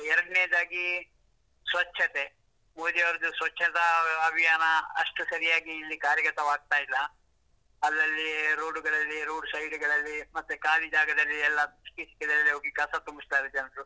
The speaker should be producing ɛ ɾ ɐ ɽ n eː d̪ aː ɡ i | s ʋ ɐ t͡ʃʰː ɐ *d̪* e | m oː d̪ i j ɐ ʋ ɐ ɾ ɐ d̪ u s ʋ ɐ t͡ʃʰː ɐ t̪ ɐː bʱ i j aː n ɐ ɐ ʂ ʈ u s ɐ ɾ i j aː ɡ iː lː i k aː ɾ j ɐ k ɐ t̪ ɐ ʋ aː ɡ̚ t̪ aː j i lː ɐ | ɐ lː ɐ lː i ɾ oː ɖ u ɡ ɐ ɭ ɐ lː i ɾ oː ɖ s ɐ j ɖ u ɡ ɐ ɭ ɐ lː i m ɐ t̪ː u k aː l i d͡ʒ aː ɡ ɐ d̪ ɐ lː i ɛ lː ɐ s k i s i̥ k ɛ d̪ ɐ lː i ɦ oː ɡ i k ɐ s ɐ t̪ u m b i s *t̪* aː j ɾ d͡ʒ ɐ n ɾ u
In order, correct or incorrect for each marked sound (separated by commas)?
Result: incorrect, correct